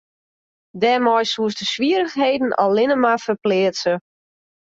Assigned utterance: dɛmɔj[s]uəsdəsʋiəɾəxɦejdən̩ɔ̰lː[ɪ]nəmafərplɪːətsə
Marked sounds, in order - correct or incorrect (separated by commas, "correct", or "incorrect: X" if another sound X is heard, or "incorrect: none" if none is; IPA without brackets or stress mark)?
correct, correct